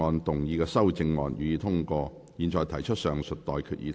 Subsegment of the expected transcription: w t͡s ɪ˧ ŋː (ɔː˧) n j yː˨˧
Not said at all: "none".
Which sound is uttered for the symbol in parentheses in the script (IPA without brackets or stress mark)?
ɔː˧